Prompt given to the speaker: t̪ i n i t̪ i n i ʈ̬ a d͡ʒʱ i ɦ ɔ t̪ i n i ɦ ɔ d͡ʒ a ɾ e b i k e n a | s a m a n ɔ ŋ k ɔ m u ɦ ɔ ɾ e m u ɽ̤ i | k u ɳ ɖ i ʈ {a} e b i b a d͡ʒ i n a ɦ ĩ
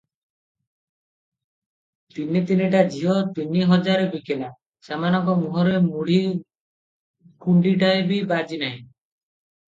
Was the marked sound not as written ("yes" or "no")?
no